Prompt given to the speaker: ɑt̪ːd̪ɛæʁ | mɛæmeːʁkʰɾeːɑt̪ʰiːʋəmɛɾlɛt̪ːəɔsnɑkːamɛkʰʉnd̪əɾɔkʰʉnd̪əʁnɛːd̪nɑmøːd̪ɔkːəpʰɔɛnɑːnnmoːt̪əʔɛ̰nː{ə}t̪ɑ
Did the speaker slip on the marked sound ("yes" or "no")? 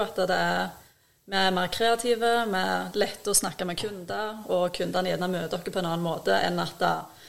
yes